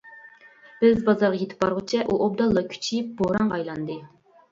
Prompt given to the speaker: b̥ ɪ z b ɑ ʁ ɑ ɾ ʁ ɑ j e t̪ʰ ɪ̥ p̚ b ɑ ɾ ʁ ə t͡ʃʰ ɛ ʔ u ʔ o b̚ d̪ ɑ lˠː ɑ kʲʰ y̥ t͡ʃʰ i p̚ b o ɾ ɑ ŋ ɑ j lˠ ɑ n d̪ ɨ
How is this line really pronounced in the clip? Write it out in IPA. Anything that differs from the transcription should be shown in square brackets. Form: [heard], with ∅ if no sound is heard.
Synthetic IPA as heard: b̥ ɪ z b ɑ [z] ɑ ɾ ʁ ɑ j e t̪ʰ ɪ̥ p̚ b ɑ ɾ ʁ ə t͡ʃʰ ɛ ʔ u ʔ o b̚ d̪ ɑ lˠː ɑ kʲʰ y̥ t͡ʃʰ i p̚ b o ɾ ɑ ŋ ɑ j lˠ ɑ n d̪ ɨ